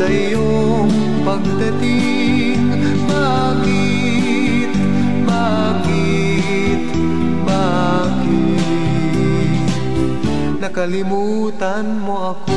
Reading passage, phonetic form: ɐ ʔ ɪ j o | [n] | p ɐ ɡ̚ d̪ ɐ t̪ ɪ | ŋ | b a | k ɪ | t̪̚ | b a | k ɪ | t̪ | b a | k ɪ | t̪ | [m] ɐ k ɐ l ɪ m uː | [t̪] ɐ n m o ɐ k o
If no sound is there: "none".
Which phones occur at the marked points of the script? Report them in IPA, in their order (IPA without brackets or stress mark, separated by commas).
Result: ŋ, n, t̪